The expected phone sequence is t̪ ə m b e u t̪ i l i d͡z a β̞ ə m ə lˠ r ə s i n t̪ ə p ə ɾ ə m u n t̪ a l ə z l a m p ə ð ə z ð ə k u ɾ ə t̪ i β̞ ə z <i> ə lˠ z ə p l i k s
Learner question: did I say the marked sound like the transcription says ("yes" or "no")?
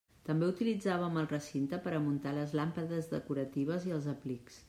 yes